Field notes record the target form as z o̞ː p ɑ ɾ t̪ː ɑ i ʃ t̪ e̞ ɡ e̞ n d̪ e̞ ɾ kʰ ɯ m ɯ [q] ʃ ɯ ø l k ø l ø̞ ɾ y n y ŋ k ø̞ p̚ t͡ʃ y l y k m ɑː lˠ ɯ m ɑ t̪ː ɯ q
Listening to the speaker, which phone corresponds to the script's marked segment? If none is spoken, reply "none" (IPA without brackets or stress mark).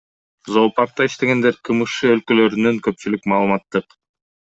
none